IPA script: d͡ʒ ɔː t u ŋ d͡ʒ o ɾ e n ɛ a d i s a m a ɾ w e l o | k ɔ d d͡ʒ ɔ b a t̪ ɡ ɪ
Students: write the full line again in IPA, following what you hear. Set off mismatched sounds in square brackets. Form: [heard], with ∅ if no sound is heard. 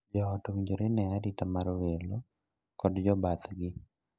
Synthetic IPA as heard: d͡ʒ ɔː t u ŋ d͡ʒ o ɾ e n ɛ a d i [t] a m a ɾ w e l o | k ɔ d d͡ʒ ɔ b a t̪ ɡ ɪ